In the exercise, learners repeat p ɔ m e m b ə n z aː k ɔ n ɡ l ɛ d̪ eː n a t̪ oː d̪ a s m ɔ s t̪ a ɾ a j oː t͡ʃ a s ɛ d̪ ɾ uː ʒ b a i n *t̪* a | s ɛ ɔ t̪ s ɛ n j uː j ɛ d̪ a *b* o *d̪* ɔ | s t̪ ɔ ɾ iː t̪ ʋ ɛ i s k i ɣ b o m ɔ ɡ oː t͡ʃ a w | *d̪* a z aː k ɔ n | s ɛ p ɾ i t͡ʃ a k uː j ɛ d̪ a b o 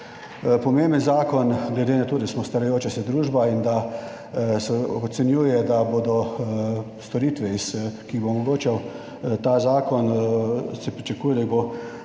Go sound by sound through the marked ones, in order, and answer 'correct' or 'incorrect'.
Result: incorrect: d̪, correct, correct, incorrect: t̪

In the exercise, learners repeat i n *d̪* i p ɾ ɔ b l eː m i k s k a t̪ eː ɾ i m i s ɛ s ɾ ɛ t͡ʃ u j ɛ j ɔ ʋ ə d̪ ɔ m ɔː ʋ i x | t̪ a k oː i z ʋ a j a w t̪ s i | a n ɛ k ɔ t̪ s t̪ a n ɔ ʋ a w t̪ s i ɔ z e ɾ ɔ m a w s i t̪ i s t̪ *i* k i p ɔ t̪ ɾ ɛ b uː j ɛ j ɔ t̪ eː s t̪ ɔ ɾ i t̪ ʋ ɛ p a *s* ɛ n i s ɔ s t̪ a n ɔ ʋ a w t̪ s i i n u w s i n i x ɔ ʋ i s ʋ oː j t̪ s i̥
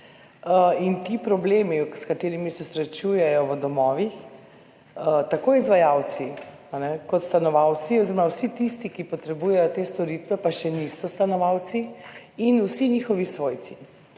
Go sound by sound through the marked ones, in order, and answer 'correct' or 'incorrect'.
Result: incorrect: t̪, correct, incorrect: ʃ

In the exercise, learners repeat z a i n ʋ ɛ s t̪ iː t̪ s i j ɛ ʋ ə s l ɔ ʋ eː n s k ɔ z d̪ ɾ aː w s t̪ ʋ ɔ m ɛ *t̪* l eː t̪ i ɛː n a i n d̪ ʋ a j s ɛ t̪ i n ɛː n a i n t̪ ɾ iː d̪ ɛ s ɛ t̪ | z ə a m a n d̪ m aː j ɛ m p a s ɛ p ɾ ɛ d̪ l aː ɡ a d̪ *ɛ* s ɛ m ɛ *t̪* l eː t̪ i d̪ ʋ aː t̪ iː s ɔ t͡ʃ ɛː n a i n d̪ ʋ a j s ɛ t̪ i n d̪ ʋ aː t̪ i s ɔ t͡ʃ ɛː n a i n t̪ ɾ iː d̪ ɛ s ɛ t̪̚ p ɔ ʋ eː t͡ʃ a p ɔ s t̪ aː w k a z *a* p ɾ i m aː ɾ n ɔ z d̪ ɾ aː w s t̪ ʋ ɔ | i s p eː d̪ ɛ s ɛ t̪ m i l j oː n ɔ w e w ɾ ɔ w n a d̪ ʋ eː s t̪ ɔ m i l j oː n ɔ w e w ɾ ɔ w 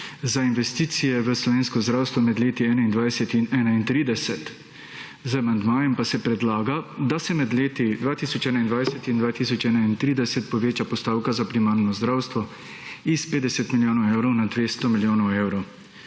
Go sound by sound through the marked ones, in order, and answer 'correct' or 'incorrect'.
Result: incorrect: d̪, incorrect: a, incorrect: d̪, correct

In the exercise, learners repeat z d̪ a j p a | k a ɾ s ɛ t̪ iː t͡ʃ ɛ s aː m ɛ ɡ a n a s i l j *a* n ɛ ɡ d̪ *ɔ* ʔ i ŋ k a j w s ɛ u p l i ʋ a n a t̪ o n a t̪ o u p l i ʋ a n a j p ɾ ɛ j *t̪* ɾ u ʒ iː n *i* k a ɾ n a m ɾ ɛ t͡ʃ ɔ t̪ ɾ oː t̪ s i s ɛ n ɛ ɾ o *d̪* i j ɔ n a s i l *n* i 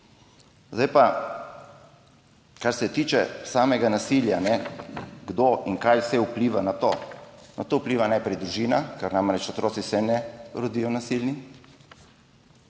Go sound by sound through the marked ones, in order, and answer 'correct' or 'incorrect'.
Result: correct, incorrect: o, incorrect: d̪, incorrect: a, correct, correct

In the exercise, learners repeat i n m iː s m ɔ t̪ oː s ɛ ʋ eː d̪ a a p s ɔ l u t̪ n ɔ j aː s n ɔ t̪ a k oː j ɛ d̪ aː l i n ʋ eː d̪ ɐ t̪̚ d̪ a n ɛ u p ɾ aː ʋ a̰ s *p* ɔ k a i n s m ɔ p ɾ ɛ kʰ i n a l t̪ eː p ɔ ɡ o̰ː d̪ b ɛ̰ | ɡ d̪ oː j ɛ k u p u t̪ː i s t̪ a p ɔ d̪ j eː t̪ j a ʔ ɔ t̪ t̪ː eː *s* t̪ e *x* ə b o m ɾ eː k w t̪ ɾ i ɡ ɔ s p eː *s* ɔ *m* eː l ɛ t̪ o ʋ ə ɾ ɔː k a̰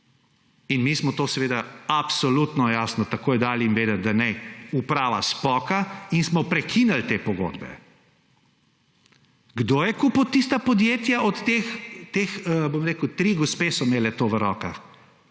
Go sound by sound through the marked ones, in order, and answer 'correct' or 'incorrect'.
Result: correct, incorrect: x, correct, correct, correct

